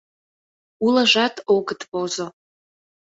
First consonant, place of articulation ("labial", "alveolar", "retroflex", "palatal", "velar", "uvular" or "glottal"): alveolar